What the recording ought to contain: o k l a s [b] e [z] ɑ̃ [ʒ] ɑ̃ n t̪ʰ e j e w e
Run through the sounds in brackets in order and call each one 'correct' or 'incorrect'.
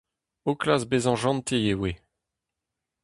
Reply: correct, correct, correct

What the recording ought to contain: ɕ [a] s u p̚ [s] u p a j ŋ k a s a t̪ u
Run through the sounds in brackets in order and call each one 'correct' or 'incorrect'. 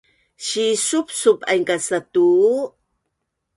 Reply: incorrect: i, correct

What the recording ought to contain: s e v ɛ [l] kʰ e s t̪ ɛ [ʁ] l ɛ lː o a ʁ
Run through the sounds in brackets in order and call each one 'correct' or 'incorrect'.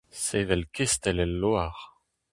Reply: correct, incorrect: none

